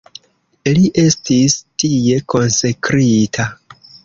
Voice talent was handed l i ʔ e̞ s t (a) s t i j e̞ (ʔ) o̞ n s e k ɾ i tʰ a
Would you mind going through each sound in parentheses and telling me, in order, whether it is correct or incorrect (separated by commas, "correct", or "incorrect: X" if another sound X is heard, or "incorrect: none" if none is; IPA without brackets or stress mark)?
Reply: incorrect: i, incorrect: k